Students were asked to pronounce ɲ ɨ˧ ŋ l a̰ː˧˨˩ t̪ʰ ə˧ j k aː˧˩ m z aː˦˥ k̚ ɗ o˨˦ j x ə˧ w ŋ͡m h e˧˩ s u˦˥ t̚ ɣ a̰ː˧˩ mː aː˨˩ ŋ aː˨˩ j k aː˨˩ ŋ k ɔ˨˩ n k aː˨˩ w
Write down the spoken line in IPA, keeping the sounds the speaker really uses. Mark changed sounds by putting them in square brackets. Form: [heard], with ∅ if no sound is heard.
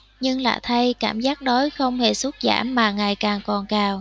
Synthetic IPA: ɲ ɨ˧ ŋ l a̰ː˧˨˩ t̪ʰ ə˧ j k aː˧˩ m z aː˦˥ k̚ ɗ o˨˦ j x ə˧ w ŋ͡m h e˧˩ s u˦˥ t̚ [z] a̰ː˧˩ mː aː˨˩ ŋ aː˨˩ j k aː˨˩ ŋ k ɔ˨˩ n k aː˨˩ w

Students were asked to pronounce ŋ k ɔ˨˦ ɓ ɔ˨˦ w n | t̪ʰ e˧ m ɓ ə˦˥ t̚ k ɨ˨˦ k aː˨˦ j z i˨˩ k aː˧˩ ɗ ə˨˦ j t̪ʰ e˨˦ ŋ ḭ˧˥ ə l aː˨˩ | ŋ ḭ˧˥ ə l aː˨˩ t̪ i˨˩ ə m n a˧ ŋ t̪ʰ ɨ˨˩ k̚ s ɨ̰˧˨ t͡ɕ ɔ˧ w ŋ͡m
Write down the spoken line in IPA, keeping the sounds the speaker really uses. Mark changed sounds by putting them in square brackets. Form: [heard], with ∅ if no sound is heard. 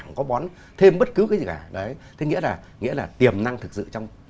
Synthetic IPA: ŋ k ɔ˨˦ ɓ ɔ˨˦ [∅] n | t̪ʰ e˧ m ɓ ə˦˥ t̚ k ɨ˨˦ k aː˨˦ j z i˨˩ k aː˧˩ ɗ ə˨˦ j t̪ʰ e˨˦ ŋ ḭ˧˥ ə l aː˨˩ | ŋ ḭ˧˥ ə l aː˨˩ t̪ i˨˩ ə m n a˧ ŋ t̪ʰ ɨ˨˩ k̚ s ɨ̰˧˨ t͡ɕ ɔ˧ w ŋ͡m

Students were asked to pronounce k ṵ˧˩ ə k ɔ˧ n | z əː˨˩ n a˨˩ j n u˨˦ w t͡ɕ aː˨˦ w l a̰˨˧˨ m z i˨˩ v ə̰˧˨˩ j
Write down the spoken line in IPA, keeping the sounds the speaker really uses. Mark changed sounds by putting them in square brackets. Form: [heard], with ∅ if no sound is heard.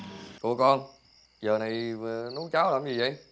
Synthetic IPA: k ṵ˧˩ ə k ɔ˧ n | z əː˨˩ n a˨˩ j n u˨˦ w t͡ɕ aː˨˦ w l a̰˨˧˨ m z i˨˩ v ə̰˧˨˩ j

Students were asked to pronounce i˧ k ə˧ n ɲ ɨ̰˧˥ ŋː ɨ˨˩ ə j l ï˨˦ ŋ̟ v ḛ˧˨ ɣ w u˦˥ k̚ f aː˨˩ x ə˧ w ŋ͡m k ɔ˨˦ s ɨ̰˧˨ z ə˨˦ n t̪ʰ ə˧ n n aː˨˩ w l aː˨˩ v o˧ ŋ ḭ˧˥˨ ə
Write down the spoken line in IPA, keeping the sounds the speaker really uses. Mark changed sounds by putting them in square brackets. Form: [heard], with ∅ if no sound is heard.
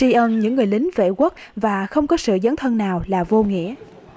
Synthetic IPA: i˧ [ʔ] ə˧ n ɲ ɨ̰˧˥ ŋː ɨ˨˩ ə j l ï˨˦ ŋ̟ v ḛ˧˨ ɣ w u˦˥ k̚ [v] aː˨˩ x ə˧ w ŋ͡m k ɔ˨˦ s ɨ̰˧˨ z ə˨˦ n t̪ʰ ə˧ n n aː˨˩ w l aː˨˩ v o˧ ŋ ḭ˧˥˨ ə

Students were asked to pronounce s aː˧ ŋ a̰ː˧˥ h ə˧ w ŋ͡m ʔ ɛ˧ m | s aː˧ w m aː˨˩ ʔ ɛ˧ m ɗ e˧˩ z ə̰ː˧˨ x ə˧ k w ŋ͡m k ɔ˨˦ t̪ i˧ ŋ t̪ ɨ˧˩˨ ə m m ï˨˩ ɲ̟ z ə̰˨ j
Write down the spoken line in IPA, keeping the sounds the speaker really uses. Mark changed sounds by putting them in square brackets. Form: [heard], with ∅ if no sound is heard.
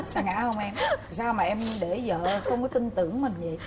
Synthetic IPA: s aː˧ ŋ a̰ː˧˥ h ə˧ w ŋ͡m ʔ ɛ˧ m | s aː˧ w m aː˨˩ ʔ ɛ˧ m ɗ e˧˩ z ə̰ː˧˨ x ə˧ [∅] w ŋ͡m k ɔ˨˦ t̪ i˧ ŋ t̪ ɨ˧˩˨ ə [ŋ] m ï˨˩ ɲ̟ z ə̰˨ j

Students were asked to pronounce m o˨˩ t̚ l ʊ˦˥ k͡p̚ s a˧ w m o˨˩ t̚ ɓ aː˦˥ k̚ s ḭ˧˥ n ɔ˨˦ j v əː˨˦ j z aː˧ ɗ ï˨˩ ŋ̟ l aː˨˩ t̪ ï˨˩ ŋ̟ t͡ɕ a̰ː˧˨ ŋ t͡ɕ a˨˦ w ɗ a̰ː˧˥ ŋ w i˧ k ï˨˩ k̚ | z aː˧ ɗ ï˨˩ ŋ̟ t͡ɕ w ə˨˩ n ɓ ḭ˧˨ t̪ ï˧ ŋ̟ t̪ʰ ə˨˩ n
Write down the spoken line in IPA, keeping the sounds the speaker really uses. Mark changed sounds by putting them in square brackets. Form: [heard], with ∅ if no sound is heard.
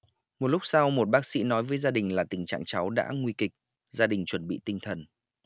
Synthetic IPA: m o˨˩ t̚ l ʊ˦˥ k͡p̚ s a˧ w m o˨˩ t̚ ɓ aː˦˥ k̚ s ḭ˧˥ n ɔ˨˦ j v əː˨˦ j z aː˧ ɗ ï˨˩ ŋ̟ l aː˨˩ t̪ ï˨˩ ŋ̟ t͡ɕ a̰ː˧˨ ŋ t͡ɕ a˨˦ w ɗ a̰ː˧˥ ŋ w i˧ k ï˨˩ k̚ | z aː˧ ɗ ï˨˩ ŋ̟ t͡ɕ w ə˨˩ n ɓ ḭ˧˨ t̪ ï˧ ŋ̟ t̪ʰ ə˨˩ n

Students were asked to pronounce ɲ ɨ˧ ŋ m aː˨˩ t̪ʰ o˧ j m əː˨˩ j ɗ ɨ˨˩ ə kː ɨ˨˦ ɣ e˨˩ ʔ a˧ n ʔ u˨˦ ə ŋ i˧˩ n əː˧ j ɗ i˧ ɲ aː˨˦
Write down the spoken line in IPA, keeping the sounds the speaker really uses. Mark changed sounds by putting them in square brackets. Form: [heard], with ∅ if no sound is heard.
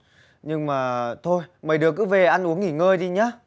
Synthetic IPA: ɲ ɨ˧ ŋ m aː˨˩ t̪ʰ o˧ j m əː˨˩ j ɗ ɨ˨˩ ə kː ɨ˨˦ [v] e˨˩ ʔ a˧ n ʔ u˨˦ ə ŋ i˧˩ [ŋ] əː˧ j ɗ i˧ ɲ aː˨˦

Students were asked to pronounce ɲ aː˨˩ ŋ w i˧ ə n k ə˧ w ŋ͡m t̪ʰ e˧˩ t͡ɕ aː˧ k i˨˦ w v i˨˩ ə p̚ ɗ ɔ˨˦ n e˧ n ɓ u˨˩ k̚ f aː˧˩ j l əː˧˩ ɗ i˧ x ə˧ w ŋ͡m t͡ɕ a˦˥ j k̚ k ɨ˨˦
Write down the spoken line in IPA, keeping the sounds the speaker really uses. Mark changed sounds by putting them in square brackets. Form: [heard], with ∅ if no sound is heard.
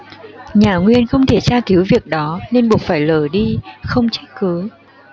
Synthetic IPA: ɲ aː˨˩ ŋ w i˧ ə n [x] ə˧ w ŋ͡m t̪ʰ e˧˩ t͡ɕ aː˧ k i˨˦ w v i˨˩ ə [k̚] ɗ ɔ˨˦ n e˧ n ɓ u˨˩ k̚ f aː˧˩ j l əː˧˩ ɗ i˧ x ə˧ w ŋ͡m t͡ɕ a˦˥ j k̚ k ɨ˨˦

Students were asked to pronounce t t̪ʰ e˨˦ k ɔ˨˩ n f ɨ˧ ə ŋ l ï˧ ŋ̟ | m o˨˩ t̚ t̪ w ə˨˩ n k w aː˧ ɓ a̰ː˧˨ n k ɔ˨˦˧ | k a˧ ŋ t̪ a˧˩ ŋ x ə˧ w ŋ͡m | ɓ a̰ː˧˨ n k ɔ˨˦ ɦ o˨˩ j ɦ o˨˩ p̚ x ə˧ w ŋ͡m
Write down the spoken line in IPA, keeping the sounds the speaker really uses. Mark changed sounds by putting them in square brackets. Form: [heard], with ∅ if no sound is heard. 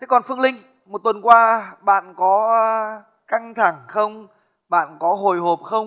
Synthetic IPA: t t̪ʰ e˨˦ k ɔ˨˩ n f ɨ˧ ə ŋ l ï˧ ŋ̟ | m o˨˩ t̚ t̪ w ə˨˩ n k w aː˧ ɓ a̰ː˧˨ n k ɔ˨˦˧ | k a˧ ŋ [t̪ʰ] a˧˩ ŋ x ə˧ w ŋ͡m | ɓ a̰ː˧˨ n k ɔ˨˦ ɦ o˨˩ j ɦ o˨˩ p̚ x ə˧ w ŋ͡m

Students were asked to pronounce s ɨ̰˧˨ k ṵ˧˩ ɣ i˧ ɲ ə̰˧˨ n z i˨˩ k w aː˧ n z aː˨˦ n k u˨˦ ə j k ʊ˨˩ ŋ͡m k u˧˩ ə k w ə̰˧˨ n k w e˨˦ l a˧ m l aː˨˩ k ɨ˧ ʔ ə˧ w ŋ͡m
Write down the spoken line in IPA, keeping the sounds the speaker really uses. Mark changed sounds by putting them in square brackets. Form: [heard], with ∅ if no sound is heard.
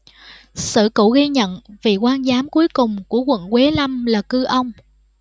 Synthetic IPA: s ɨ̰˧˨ k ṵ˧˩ ɣ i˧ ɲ ə̰˧˨ n [v] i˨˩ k w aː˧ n z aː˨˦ [m] k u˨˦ ə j k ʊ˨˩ ŋ͡m k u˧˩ ə k w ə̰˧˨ n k w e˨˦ l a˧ m l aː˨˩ k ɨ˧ ʔ ə˧ w ŋ͡m

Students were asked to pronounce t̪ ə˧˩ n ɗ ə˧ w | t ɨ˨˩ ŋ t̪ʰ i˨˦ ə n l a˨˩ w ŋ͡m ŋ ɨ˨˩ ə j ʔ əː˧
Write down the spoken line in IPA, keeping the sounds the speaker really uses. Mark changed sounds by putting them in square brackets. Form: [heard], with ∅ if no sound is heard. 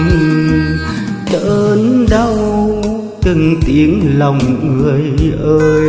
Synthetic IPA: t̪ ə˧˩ n ɗ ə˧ w | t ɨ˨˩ ŋ [t̪] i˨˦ ə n l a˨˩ w ŋ͡m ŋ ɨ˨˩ ə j ʔ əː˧

